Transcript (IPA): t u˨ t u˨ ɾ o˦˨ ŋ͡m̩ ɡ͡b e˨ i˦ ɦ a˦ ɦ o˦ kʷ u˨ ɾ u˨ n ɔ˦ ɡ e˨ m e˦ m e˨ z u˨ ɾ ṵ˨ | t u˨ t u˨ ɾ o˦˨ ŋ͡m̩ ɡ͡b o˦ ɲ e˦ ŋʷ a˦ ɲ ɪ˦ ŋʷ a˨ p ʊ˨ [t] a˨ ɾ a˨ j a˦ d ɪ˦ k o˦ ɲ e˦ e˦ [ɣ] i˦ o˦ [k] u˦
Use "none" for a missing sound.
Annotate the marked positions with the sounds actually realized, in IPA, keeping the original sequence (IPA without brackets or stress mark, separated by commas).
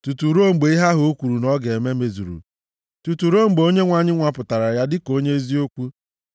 t, z, k